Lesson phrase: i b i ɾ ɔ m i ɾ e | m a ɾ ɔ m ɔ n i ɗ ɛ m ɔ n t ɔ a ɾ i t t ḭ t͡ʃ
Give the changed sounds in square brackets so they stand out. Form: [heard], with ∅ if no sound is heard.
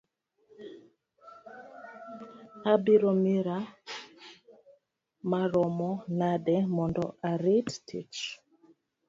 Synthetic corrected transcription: [a] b i ɾ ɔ m i ɾ [a] | m a ɾ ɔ m ɔ n [a] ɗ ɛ m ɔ n [d] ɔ a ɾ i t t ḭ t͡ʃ